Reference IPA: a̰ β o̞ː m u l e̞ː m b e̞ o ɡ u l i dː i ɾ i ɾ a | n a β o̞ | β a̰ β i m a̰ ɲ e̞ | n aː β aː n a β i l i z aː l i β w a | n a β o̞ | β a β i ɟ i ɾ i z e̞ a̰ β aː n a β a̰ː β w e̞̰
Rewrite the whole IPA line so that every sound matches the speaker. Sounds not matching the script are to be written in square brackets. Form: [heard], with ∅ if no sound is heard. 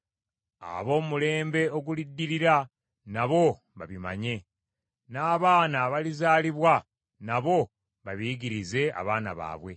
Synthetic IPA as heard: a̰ β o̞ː m u l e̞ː m b e̞ o ɡ u l i dː i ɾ i ɾ a | n a β o̞ | β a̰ β i m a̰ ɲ e̞ | n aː β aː n a β [a] l i z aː l i β w a | n a β o̞ | β a β i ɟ i ɾ i z e̞ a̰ β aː n a β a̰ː β w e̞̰

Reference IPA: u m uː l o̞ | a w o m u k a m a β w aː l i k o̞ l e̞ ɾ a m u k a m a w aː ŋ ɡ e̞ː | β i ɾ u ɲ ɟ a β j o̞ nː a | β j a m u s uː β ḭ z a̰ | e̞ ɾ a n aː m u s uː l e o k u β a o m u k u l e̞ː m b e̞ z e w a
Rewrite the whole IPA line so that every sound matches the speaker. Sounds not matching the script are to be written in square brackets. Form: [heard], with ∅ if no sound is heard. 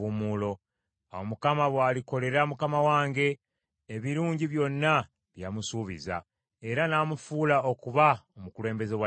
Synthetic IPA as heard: u m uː l o̞ | a w o m u k a m a β w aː l i k o̞ l e̞ ɾ a m u k a m a w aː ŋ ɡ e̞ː | β i ɾ [uː] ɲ ɟ [i] β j o̞ nː a | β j a m u s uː β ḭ z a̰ | e̞ ɾ a n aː m u [f] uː l [a] o k u β a o m u k u l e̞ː m b e̞ z e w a

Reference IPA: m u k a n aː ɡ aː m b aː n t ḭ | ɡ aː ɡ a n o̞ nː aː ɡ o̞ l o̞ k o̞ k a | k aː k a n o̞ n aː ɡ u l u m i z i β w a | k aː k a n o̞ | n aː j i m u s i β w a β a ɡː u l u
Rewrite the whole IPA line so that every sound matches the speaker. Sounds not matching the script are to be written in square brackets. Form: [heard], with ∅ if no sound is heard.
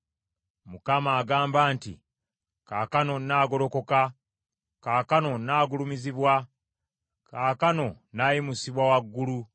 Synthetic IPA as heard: m u k a [m] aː ɡ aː m b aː n t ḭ | [k] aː [k] a n o̞ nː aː ɡ o̞ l o̞ k o̞ k a | k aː k a n o̞ n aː ɡ u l u m i z i β w a | k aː k a n o̞ | n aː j i m u s i β w a [w] a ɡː u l u

